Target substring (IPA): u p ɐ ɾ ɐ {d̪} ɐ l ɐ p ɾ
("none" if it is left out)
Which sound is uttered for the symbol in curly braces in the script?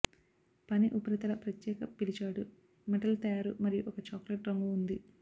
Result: t̪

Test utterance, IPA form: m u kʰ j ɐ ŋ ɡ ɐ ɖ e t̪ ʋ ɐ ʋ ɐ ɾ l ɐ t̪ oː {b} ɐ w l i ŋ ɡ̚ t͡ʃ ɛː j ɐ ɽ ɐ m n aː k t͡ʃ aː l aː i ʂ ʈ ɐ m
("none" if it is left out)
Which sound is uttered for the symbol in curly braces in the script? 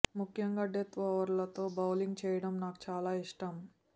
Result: b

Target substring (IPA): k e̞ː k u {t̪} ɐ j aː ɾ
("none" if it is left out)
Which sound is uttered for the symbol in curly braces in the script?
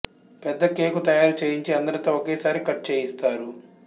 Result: t̪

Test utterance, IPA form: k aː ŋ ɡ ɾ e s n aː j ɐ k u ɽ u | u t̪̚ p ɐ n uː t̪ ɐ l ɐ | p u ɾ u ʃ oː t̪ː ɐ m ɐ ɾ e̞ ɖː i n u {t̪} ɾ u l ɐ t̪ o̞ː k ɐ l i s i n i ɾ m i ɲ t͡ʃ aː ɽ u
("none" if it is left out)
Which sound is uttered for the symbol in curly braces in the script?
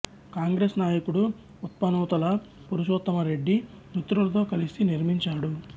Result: t̪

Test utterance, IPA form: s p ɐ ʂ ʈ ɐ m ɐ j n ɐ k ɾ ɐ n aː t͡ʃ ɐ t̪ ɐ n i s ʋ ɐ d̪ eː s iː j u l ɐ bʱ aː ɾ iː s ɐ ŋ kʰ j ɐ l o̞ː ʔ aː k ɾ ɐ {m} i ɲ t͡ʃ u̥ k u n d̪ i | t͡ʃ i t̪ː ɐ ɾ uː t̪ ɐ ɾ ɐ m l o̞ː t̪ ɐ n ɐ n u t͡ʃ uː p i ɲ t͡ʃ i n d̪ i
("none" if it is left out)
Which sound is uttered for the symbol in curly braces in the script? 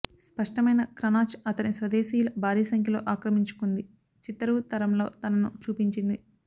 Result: m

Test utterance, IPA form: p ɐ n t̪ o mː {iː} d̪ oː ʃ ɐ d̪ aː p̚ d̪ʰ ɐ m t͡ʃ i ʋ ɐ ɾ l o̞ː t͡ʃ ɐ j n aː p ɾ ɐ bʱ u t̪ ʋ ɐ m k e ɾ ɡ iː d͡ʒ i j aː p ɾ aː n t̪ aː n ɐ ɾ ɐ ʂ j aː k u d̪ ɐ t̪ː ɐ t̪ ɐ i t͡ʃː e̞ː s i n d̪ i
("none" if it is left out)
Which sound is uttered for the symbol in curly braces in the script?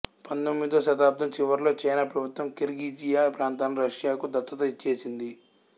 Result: i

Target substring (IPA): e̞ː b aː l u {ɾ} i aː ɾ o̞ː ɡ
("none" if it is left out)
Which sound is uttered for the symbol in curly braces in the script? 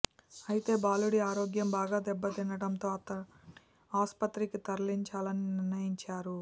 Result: ɽ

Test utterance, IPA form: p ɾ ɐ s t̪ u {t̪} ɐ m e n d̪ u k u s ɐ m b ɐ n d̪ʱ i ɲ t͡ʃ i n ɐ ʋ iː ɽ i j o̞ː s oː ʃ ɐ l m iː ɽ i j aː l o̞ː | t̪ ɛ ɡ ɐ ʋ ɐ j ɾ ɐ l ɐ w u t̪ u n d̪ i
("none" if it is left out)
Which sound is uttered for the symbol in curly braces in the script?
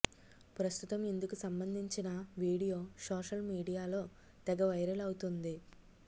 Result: t̪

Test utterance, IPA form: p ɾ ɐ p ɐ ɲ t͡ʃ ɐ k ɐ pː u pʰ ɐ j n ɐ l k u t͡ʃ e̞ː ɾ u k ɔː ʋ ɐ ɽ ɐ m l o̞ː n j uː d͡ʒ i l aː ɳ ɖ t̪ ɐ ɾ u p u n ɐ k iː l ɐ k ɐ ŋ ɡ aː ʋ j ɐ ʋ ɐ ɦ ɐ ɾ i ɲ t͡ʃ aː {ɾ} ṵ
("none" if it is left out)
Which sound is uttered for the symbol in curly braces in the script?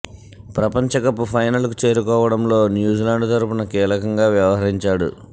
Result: ɽ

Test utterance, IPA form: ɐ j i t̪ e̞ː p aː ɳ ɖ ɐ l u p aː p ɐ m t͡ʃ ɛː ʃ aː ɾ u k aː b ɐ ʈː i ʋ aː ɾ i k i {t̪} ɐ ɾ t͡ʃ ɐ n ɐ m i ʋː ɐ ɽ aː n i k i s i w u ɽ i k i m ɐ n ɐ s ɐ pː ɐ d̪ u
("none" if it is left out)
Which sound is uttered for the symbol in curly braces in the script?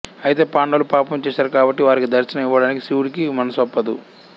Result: d̪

